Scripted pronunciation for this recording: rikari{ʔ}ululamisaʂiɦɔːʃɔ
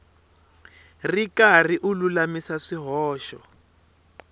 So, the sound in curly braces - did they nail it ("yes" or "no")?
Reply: yes